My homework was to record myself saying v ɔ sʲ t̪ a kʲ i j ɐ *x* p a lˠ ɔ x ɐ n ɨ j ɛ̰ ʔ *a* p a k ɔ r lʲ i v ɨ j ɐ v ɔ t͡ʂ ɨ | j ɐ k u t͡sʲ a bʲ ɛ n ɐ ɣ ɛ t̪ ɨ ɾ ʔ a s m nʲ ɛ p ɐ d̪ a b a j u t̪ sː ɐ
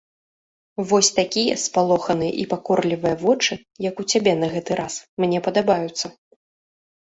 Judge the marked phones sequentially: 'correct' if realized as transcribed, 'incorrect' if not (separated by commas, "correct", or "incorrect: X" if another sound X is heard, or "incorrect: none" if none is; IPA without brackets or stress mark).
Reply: incorrect: s, incorrect: i